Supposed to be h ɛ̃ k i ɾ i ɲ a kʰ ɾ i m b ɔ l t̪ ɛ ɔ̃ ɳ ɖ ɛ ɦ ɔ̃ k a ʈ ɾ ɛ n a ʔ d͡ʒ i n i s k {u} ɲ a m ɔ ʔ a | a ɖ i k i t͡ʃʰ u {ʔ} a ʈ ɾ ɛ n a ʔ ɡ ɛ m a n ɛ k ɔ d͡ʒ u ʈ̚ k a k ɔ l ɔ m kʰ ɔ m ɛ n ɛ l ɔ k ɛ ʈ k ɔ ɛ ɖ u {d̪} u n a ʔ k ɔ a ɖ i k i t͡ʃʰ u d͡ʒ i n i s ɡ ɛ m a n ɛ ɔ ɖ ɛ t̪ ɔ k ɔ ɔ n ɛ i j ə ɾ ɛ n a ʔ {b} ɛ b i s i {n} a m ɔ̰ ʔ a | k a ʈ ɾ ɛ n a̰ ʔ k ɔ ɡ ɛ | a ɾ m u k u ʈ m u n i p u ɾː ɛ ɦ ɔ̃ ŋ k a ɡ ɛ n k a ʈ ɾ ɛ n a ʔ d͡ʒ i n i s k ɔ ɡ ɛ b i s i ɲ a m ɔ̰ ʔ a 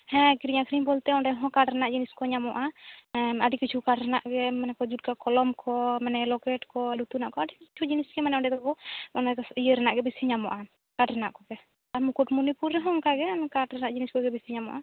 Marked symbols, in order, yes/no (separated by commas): no, no, no, no, no